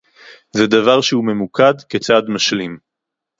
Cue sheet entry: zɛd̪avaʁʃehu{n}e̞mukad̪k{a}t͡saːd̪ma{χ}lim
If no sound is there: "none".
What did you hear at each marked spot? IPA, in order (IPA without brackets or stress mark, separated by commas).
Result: m, e, ʃ